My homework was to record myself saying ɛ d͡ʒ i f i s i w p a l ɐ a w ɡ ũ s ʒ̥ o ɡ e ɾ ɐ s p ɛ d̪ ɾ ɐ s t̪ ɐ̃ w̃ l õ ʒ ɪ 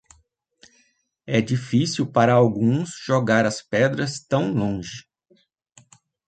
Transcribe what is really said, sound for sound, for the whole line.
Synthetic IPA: ɛ d͡ʒ i f i s i w p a ɾ ɐ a w ɡ ũ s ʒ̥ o ɡ a ɾ ɐ s p ɛ d̪ ɾ ɐ s t̪ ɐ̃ w̃ l õ ʒ ɪ